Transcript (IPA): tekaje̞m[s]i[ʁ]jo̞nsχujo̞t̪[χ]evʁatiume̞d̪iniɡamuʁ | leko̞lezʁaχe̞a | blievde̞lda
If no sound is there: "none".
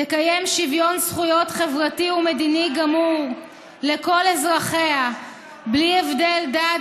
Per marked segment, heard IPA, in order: ʃ, v, χ

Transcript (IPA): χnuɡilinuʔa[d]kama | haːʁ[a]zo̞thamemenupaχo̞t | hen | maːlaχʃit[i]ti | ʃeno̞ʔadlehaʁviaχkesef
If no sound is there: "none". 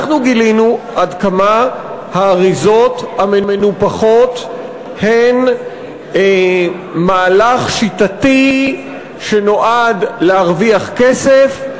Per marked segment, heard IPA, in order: d, i, a

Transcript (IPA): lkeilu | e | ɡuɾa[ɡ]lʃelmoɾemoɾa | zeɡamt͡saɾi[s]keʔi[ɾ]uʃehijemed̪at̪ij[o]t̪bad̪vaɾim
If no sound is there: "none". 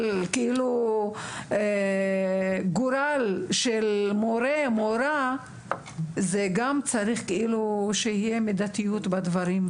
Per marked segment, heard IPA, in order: none, χ, l, u

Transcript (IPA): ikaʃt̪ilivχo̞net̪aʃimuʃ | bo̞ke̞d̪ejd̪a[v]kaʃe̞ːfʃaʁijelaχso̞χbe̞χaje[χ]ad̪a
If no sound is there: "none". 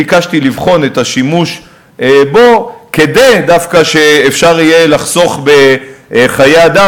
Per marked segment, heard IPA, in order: f, none

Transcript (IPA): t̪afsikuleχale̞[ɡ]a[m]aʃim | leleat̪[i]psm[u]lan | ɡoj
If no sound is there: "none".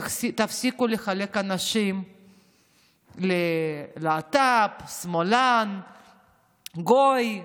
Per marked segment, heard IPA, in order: k, n, a, o

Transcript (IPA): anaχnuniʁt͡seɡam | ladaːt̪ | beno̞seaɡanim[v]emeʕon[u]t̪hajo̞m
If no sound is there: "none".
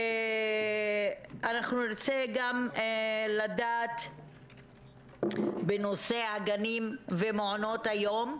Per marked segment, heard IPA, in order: v, o

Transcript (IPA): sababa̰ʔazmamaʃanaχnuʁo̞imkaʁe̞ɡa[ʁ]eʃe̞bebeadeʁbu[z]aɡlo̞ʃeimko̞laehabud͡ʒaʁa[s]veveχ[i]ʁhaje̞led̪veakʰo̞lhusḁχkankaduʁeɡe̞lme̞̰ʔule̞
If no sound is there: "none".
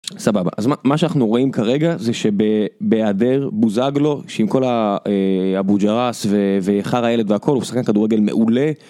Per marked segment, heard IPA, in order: z, z, s, a

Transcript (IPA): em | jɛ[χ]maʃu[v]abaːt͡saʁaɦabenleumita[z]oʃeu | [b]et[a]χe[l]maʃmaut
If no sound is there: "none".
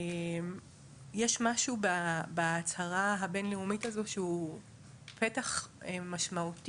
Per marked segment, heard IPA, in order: ʃ, b, z, p, a, none

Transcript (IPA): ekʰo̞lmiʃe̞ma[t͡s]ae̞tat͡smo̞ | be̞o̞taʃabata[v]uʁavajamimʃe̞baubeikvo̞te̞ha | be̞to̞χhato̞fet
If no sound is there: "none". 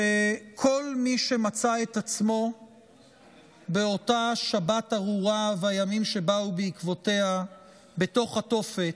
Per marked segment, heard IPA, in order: t͡s, ʁ

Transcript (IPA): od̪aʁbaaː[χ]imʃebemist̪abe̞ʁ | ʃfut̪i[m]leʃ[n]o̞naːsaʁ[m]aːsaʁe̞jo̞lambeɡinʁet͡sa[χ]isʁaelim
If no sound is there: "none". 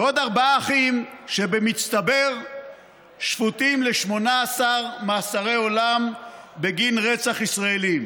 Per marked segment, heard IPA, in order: χ, m, m, m, χ

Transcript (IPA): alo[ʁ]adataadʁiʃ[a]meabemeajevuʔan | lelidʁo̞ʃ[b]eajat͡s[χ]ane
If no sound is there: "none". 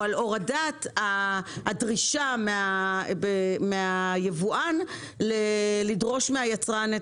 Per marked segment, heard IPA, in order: ʁ, a, m, ʁ

